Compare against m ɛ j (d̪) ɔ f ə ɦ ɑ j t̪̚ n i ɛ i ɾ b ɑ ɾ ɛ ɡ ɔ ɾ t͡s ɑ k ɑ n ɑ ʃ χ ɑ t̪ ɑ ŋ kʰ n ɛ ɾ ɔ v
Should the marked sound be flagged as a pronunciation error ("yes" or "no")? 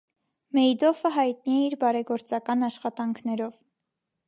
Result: no